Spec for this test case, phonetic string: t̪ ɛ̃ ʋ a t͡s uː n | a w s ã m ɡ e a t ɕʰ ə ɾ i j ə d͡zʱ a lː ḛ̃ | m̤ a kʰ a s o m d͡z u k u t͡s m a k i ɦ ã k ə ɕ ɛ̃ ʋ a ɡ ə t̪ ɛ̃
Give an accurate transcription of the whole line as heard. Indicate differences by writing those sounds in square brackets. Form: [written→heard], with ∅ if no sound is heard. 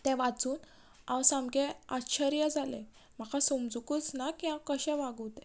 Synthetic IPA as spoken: t̪ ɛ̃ ʋ a t͡s uː n | a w s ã m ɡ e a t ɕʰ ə ɾ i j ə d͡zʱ a [lː→l] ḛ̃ | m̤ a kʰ a s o m d͡z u k u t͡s [m→n] a k i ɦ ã k ə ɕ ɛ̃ ʋ a ɡ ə t̪ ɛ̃